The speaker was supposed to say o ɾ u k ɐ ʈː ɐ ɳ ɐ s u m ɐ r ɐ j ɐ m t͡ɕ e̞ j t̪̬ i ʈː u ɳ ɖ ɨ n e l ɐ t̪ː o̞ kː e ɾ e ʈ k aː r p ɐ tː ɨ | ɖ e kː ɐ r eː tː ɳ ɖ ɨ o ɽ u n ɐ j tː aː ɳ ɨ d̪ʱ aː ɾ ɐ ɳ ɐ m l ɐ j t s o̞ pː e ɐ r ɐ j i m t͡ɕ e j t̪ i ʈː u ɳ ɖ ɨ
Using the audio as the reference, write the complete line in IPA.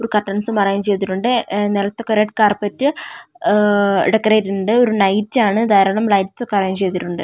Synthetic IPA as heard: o ɾ u k ɐ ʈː ɐ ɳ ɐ s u m ɐ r ɐ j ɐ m t͡ɕ e̞ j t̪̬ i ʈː u ɳ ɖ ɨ n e l ɐ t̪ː o̞ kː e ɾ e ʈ k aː r p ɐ tː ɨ | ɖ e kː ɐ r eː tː ɳ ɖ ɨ o ɾ u n ɐ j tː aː ɳ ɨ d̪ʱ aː ɾ ɐ ɳ ɐ m l ɐ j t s o̞ kː e ɐ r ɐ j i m t͡ɕ e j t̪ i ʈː u ɳ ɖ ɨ